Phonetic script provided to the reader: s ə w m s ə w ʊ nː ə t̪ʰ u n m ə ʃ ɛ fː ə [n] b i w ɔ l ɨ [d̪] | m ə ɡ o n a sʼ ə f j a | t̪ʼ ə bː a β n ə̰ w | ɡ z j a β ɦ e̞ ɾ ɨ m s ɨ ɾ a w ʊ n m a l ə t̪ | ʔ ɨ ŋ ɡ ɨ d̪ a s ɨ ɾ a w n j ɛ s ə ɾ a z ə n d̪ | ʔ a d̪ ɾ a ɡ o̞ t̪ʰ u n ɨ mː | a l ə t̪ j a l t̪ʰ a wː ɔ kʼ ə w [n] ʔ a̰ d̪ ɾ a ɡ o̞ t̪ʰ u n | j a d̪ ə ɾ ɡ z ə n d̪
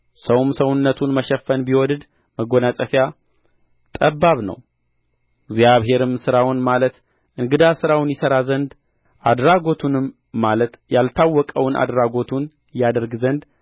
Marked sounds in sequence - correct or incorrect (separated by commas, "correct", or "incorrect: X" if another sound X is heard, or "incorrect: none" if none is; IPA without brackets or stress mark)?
correct, correct, correct